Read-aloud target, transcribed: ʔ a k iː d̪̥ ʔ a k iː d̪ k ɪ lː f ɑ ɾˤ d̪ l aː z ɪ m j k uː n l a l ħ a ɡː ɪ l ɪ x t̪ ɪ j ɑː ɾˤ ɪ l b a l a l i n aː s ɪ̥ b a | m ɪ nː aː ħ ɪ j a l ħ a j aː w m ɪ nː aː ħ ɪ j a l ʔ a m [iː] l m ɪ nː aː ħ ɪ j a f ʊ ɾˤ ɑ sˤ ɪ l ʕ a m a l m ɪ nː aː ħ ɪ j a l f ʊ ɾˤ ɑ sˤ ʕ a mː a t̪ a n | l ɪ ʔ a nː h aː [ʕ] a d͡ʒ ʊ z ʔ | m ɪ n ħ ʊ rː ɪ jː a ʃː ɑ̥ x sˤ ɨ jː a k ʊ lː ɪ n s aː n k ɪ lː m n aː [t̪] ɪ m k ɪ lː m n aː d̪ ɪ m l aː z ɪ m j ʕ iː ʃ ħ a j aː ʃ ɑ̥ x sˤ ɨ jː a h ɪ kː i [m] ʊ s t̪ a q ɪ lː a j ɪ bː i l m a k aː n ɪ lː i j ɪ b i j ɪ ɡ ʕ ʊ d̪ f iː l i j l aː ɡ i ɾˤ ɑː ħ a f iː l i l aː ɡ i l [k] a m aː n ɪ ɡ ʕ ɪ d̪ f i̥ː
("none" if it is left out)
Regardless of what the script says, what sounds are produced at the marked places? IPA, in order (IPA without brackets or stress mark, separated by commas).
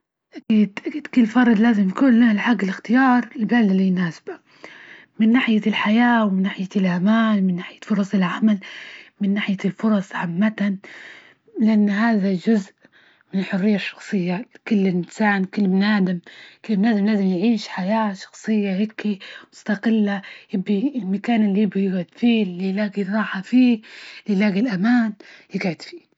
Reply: aː, ð, d̪, m, ʔ